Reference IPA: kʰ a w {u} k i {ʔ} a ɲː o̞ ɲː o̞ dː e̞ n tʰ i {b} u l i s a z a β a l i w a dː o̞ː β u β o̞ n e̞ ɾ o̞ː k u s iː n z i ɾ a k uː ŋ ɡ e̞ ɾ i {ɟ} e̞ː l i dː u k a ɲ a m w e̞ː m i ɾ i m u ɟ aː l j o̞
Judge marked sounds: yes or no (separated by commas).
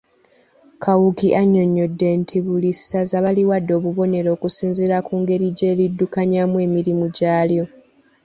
yes, yes, no, yes